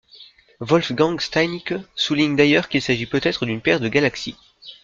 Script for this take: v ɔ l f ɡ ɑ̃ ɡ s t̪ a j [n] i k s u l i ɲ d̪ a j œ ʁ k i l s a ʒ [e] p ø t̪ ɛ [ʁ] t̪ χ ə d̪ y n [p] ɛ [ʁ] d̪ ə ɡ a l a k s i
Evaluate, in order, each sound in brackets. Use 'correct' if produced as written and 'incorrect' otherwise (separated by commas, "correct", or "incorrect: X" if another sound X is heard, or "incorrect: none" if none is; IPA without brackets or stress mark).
correct, incorrect: i, incorrect: none, correct, correct